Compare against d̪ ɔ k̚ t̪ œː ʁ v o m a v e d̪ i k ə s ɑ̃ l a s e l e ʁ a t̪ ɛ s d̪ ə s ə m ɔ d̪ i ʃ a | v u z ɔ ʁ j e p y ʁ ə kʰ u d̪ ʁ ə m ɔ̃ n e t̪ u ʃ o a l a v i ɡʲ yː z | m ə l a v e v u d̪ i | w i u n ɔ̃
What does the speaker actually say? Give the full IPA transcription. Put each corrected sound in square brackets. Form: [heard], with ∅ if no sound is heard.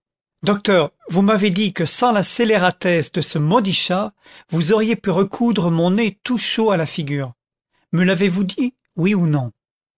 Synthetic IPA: d̪ ɔ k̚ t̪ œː ʁ v [u] m a v e d̪ i k ə s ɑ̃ l a s e l e ʁ a t̪ ɛ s d̪ ə s ə m ɔ d̪ i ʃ a | v u z ɔ ʁ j e p y ʁ ə kʰ u d̪ ʁ ə m ɔ̃ n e t̪ u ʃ o a l a [f] i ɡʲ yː [ʁ] | m ə l a v e v u d̪ i | w i u n ɔ̃